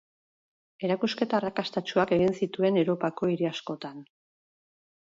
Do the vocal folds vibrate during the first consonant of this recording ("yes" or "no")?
yes